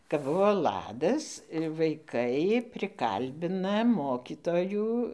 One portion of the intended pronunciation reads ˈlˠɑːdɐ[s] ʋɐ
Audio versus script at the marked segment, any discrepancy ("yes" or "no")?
no